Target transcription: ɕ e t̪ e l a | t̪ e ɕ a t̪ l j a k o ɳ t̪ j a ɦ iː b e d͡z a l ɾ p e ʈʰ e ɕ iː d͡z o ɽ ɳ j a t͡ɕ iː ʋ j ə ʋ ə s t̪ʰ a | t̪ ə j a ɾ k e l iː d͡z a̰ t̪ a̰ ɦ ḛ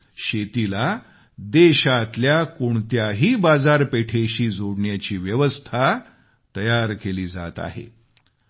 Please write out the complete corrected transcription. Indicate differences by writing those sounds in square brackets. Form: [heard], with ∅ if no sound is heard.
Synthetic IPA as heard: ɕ e t̪ [i] l a | [d̪] e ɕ a t̪ l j a k o ɳ t̪ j a ɦ iː b [a] d͡z a [∅] ɾ p e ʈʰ e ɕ iː d͡z o ɽ ɳ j a t͡ɕ iː ʋ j ə ʋ ə s t̪ʰ a | t̪ ə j a ɾ k e l iː d͡z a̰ t̪ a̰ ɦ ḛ

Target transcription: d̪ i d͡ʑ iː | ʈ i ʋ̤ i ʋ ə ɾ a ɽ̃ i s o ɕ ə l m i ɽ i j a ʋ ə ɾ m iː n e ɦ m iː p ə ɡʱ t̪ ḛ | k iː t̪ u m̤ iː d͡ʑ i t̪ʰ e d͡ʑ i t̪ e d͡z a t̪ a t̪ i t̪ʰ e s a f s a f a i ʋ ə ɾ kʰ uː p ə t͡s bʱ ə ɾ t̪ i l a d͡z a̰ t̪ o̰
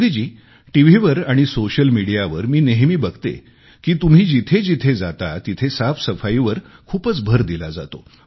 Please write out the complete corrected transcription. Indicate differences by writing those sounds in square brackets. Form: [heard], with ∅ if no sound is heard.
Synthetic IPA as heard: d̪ i d͡ʑ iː | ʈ i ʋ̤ i ʋ ə ɾ a ɽ̃ i s o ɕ ə l m i ɽ i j a ʋ ə ɾ m iː n e ɦ m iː [b] ə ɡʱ t̪ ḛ | k iː t̪ u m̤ iː d͡ʑ i t̪ʰ e d͡ʑ i [t̪ʰ] e d͡z a t̪ a t̪ i t̪ʰ e s a f s [ə] f a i ʋ ə ɾ kʰ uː p ə t͡s bʱ ə ɾ [d̪] i l a d͡z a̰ t̪ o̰

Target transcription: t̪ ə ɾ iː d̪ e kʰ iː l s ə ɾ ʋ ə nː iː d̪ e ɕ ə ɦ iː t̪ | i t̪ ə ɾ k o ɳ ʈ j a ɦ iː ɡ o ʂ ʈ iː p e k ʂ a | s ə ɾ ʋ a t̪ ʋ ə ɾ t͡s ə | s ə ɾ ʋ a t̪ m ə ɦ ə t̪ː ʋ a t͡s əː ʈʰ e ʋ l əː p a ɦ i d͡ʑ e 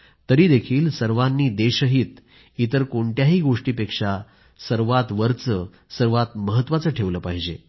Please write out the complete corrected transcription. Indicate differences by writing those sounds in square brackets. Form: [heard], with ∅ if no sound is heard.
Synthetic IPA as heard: t̪ ə ɾ iː d̪ e kʰ iː l s ə ɾ ʋ [a] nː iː d̪ e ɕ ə ɦ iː t̪ | i t̪ ə ɾ k o ɳ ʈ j a ɦ iː ɡ o ʂ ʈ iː p e k ʂ a | s ə ɾ ʋ a t̪ ʋ ə ɾ t͡s ə | s ə ɾ ʋ a t̪ m ə ɦ ə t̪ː ʋ a t͡s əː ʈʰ e ʋ l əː p a ɦ i d͡ʑ e

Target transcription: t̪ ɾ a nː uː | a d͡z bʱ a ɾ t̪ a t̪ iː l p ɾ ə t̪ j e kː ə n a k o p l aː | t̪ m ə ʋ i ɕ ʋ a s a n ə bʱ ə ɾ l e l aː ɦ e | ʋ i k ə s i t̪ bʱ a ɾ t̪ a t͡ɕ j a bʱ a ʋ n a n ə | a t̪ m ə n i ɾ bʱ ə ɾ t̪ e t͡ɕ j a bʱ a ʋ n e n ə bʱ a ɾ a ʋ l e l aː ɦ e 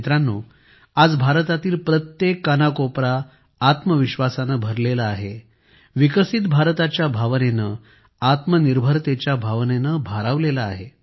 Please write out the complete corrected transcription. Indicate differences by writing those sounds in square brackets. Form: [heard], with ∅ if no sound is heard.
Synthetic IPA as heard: t̪ ɾ a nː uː | a d͡z bʱ a ɾ t̪ a t̪ iː l p ɾ ə t̪ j e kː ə n a k o p [ɾ] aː | t̪ m ə ʋ i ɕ ʋ a s a n ə bʱ ə ɾ l e l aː ɦ e | ʋ i k ə s i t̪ bʱ a ɾ t̪ a t͡ɕ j a bʱ a ʋ n [e] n ə | a t̪ m ə n i ɾ bʱ ə ɾ t̪ e t͡ɕ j a bʱ a ʋ n e n ə bʱ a ɾ a ʋ l e l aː ɦ e

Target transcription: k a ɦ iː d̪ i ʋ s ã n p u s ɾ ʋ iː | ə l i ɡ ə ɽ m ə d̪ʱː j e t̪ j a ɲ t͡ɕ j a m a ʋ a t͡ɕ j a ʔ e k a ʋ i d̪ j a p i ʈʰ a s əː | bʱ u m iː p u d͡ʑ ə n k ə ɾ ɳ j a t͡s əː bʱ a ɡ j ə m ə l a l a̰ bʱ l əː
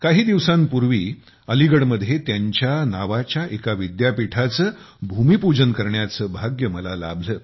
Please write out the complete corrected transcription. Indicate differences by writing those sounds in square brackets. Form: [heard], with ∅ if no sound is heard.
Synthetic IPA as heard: k a ɦ iː d̪ i ʋ s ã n p u [∅] ɾ ʋ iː | ə l i ɡ ə ɽ m ə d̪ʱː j e t̪ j a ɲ t͡ɕ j a [n] a ʋ a t͡ɕ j a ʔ e k a ʋ i d̪ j a p i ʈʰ a [t͡s] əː | bʱ u m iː p u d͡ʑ ə n k ə ɾ ɳ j a t͡s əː bʱ a ɡ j ə m ə l a l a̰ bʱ l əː

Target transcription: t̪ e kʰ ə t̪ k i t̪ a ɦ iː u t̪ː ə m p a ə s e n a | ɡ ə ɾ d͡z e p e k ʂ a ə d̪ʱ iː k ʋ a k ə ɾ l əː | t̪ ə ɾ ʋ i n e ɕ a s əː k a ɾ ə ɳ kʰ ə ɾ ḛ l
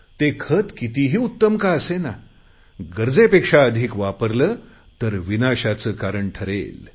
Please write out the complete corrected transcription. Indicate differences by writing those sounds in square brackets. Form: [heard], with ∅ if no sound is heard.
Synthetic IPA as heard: t̪ e kʰ ə t̪ k i t̪ [i] ɦ iː u t̪ː ə m [k] a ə s e n a | ɡ ə ɾ d͡z e p e k ʂ a ə d̪ʱ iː k ʋ a [p] ə ɾ l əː | t̪ ə ɾ ʋ i n [a] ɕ a [t͡s] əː k a ɾ ə ɳ [ʈʰ] ə ɾ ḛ l

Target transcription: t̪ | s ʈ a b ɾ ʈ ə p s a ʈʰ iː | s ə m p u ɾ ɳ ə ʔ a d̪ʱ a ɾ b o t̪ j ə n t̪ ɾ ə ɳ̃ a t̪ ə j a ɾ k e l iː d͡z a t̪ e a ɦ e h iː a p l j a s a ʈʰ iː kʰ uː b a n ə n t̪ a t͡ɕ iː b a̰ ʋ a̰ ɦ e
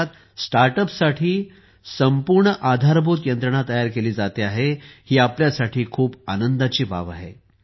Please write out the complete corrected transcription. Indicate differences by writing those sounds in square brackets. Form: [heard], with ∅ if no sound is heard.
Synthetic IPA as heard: t̪ | s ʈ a [∅] ɾ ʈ ə p s a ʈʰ iː | s ə m p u ɾ ɳ ə ʔ a d̪ʱ a ɾ b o t̪ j ə n t̪ ɾ ə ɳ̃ a t̪ ə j a ɾ k e l iː d͡z a t̪ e a ɦ e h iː a p l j a s a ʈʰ iː kʰ uː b a n ə n [d̪] a t͡ɕ iː b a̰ ʋ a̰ ɦ e

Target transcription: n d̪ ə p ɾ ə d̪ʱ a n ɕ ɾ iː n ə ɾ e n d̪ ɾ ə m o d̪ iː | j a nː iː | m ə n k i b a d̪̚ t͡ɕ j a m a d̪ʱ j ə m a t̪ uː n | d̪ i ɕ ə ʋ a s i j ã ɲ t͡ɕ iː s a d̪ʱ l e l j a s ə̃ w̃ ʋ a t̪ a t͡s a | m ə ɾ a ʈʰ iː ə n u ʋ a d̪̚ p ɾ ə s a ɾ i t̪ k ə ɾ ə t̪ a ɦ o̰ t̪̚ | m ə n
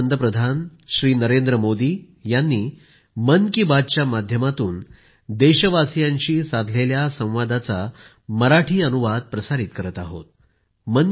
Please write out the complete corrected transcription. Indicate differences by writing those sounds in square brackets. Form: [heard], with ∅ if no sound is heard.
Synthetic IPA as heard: n d̪ ə p ɾ ə d̪ʱ a n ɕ ɾ iː n ə ɾ e n d̪ ɾ ə m o d̪ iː | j a nː iː | m ə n k i b a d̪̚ t͡ɕ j a m a d̪ʱ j ə m a t̪ uː n | d̪ [e] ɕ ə ʋ a s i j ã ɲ t͡ɕ iː s a d̪ʱ l e l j a s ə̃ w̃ ʋ a [d̪] a t͡s a | m ə ɾ a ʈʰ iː ə n u ʋ a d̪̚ p ɾ ə s a ɾ i t̪ k ə ɾ ə t̪ a ɦ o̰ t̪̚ | m ə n

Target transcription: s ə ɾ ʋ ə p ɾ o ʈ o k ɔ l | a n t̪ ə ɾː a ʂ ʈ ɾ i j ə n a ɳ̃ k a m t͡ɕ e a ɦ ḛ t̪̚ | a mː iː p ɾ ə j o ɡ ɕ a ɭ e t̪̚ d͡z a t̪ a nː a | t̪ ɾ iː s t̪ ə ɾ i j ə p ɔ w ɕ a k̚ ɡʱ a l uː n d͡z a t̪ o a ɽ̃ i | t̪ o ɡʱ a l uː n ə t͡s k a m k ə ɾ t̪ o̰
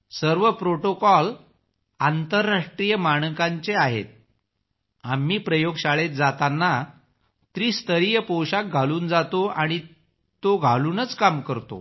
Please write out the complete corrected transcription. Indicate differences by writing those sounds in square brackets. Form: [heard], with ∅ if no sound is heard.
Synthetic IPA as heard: s ə ɾ ʋ ə p ɾ o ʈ o k ɔ l | a n t̪ ə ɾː a ʂ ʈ ɾ i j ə [m] a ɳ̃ k a [ɲ] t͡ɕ e a ɦ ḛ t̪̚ | a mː iː p ɾ ə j o ɡ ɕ a ɭ e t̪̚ d͡z a t̪ a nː a | t̪ ɾ iː s t̪ ə ɾ i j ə p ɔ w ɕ a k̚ ɡʱ a l uː n d͡z a t̪ o a ɽ̃ i | t̪ o ɡʱ a l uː n ə t͡s k a m k ə ɾ t̪ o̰

